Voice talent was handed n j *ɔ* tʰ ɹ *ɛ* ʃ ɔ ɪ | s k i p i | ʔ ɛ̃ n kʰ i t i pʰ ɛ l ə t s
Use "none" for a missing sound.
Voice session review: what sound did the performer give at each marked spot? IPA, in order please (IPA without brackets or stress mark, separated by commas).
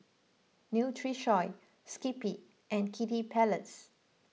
u, i